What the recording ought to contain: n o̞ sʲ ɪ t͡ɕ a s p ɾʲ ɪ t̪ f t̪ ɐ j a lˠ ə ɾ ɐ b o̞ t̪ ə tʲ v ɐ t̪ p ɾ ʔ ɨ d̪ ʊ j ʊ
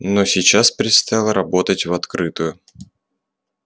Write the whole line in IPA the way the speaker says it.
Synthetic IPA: n o̞ sʲ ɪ t͡ɕ a s p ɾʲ ɪ t̪ s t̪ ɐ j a lˠ ə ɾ ɐ b o̞ t̪ ə tʲ v ɐ t̪ k ɾ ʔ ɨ t̪ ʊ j ʊ